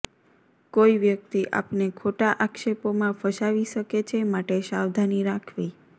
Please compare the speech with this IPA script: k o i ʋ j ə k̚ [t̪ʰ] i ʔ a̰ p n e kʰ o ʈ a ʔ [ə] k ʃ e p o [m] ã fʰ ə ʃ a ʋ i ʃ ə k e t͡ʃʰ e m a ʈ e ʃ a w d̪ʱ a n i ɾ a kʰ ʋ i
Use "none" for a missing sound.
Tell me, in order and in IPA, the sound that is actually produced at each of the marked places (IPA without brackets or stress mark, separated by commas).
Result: t̪, a, m